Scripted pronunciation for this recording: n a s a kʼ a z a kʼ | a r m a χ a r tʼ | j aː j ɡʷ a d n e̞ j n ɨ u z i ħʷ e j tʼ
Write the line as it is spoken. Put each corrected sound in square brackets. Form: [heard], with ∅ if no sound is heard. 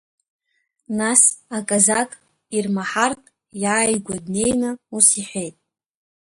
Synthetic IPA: n a s a kʼ a z a kʼ | [i] r m a [ħ] a r tʼ | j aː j ɡʷ a d n e̞ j n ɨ u [s] i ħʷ e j tʼ